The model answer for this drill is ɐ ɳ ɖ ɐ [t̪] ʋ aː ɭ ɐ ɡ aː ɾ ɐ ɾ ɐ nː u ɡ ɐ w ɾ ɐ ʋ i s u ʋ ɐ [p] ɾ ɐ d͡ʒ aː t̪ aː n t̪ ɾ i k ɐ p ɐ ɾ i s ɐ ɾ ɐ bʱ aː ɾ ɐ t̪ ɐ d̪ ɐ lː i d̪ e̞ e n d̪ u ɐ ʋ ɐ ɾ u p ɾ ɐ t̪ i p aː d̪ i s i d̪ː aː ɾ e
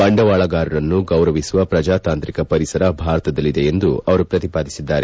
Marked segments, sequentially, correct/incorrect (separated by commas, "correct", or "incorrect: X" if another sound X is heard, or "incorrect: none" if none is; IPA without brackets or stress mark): incorrect: none, correct